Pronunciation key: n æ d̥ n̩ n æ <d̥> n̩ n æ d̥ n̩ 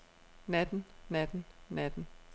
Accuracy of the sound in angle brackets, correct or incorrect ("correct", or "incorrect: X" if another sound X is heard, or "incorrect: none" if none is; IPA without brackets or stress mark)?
correct